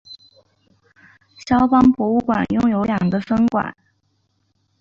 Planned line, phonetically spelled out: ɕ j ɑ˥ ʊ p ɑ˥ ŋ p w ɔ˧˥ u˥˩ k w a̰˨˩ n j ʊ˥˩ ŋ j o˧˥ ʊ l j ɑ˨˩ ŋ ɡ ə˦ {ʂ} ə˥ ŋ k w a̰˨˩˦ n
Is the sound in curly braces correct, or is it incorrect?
incorrect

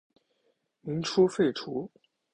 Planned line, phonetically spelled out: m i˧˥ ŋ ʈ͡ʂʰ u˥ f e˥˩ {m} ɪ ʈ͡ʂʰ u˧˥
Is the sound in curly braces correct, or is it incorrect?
incorrect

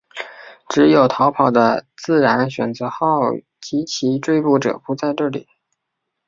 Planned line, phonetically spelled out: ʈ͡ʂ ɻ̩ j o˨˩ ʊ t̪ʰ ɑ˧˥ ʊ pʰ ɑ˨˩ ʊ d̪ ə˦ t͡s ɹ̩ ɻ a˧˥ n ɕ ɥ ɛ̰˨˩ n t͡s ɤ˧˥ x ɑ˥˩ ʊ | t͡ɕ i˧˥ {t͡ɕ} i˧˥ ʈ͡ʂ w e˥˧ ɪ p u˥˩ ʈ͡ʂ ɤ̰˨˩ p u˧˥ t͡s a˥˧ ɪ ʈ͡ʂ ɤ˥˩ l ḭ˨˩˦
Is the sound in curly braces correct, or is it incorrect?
incorrect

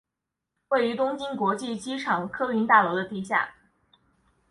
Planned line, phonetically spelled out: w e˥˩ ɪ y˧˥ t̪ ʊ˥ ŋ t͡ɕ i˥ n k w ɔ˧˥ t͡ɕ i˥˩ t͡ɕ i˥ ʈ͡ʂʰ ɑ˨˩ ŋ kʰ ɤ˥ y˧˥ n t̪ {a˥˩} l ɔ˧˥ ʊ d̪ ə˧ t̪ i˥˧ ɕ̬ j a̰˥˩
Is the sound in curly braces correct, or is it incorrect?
correct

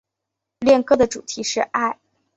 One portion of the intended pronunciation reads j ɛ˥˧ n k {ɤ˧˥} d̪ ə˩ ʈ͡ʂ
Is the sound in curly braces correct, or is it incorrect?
incorrect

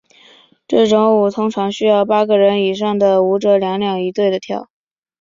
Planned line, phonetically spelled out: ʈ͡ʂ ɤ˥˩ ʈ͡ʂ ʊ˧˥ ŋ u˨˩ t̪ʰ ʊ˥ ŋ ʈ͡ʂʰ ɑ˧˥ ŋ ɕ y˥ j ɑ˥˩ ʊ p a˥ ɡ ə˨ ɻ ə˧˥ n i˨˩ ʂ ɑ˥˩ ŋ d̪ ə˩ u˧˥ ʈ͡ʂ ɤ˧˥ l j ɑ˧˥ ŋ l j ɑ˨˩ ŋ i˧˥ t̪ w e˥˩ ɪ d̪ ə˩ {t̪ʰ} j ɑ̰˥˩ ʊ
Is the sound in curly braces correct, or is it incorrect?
correct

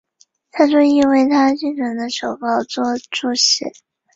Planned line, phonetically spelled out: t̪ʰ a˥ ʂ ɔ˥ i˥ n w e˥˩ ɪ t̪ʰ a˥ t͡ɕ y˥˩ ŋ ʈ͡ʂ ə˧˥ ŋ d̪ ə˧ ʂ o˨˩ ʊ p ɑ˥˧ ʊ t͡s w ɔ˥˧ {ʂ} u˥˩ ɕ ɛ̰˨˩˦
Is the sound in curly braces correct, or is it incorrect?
incorrect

